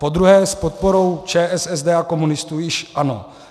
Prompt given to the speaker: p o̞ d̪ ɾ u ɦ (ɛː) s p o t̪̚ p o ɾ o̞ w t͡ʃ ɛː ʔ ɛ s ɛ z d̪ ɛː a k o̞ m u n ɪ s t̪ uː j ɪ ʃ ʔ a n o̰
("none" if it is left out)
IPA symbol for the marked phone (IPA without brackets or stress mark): ɛː